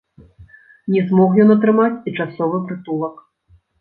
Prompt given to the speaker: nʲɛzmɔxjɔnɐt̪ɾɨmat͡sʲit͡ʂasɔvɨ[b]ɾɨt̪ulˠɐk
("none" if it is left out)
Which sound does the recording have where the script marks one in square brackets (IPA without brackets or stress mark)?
p